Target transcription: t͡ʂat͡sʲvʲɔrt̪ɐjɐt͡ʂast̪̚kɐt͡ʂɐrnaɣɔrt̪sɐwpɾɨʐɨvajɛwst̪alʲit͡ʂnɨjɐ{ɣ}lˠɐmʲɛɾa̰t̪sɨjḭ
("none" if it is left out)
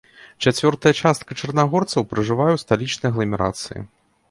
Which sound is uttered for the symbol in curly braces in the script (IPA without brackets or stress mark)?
ɣ